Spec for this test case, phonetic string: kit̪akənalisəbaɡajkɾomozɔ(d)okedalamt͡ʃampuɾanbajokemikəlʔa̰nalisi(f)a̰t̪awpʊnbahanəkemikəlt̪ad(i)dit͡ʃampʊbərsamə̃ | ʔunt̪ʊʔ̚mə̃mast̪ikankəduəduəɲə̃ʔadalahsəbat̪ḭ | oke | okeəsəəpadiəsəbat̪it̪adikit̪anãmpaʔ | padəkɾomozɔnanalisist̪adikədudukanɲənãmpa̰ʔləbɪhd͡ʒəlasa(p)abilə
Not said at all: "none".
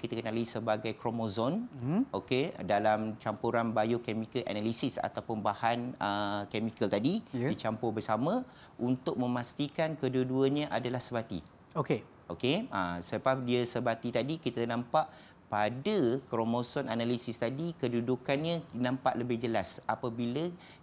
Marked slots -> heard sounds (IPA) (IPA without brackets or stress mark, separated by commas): n, s, i, p